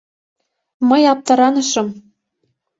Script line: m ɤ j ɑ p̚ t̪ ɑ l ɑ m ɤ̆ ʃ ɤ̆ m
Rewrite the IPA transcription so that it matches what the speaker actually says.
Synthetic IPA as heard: m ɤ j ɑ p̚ t̪ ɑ ɾ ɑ n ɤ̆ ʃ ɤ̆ m